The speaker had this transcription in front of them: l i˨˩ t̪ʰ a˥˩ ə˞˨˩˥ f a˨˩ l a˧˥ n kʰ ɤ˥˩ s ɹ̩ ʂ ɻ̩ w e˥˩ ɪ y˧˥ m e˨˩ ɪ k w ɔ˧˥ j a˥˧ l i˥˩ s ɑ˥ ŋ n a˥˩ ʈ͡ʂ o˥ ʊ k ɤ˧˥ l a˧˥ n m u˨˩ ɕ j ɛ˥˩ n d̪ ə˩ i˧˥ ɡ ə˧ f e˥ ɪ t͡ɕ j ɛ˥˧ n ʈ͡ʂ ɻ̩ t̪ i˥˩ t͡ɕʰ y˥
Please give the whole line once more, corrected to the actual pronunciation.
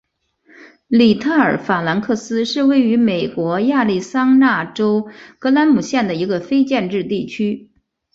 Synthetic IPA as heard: l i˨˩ t̪ʰ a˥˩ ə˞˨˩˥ f a˨˩ l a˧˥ n kʰ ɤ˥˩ s ɹ̩ ʂ ɻ̩ w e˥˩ ɪ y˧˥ m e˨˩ ɪ k w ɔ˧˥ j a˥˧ l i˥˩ s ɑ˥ ŋ n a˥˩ ʈ͡ʂ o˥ ʊ k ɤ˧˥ l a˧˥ n m u˨˩ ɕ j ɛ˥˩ n d̪ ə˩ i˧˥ ɡ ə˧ f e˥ ɪ t͡ɕ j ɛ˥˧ n ʈ͡ʂ ɻ̩ t̪ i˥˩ t͡ɕʰ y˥

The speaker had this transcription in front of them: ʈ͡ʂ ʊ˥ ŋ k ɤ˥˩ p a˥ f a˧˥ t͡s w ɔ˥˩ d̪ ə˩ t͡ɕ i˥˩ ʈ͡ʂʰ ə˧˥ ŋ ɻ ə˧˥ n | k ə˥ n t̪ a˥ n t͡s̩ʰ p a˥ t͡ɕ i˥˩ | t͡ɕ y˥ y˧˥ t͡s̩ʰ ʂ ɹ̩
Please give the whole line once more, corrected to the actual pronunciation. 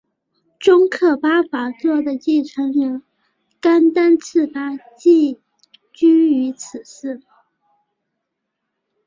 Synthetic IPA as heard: ʈ͡ʂ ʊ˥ ŋ kʰ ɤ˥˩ p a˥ f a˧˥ t͡s w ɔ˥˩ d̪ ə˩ t͡ɕ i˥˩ ʈ͡ʂʰ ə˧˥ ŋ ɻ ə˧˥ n | k a˥ n t̪ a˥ n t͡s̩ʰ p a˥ t͡ɕ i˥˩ | t͡ɕ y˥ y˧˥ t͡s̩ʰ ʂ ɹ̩

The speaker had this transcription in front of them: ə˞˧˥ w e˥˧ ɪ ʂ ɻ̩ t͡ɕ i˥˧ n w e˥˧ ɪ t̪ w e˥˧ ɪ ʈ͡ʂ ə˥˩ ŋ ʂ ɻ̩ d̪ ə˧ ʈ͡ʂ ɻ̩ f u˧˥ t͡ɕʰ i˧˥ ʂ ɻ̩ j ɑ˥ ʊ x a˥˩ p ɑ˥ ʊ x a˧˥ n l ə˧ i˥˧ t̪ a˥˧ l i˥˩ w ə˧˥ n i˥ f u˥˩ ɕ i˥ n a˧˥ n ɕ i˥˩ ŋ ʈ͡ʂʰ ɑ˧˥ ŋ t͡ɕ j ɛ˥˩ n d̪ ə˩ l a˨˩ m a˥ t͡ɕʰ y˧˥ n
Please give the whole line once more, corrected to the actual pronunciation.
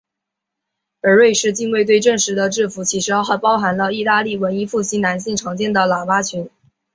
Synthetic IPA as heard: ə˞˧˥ w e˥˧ ɪ ʂ ɻ̩ t͡ɕ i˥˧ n w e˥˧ ɪ t̪ w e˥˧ ɪ ʈ͡ʂ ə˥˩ ŋ ʂ ɻ̩ d̪ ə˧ ʈ͡ʂ ɻ̩ f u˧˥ t͡ɕʰ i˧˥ ʂ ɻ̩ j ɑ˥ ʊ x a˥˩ p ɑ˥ ʊ x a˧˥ n l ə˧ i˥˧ t̪ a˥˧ l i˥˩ w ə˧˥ n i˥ f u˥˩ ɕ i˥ n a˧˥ n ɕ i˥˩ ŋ ʈ͡ʂʰ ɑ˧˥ ŋ t͡ɕ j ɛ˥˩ n d̪ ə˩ l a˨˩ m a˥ t͡ɕʰ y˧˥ n

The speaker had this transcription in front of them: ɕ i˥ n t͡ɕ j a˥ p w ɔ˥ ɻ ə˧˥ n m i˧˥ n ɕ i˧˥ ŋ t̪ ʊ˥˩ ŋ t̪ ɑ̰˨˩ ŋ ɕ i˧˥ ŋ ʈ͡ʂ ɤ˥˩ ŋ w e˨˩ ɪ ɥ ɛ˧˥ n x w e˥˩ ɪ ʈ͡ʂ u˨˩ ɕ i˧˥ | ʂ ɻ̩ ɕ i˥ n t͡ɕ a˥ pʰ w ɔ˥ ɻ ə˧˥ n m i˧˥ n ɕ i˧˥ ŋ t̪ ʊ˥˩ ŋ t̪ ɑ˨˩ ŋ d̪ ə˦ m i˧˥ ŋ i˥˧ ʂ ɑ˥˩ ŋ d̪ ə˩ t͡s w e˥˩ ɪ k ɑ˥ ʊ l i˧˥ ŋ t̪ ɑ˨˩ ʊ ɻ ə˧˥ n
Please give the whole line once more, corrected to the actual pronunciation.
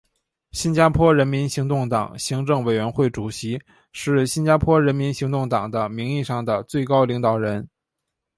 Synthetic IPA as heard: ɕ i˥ n t͡ɕ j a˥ pʰ w ɔ˥ ɻ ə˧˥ n m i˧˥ n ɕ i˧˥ ŋ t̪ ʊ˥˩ ŋ t̪ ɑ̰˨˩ ŋ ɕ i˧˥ ŋ ʈ͡ʂ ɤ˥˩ ŋ w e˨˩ ɪ ɥ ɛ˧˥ n x w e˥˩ ɪ ʈ͡ʂ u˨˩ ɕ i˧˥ | ʂ ɻ̩ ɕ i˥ n t͡ɕ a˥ pʰ w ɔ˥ ɻ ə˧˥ n m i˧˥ n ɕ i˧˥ ŋ t̪ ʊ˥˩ ŋ t̪ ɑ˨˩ ŋ d̪ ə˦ m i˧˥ ŋ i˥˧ ʂ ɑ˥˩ ŋ d̪ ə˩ t͡s w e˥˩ ɪ k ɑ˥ ʊ l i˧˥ ŋ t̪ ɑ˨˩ ʊ ɻ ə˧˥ n

